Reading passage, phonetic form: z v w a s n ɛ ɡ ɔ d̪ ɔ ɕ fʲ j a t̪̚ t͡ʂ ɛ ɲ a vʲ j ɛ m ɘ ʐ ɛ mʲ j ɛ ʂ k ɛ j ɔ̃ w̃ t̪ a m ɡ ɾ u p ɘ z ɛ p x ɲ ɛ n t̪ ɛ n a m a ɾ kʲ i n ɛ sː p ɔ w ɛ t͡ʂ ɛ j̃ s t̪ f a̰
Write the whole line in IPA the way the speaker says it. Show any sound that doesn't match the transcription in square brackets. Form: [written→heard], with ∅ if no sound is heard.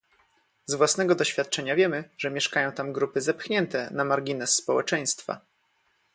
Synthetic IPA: z v w a s n ɛ ɡ ɔ d̪ ɔ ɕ fʲ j a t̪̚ t͡ʂ ɛ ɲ a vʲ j ɛ m ɘ ʐ ɛ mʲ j ɛ ʂ k [ɛ→a] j ɔ̃ w̃ t̪ a m ɡ ɾ u p ɘ z ɛ p x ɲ ɛ n t̪ ɛ n a m a ɾ [kʲ→ɡʲ] i n ɛ sː p ɔ w ɛ t͡ʂ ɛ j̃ s t̪ f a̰